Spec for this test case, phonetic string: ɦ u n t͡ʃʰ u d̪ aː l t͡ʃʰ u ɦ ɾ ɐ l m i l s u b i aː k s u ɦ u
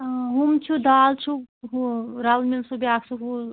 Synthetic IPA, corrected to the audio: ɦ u m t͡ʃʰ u d̪ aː l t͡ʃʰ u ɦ ɾ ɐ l m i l s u b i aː k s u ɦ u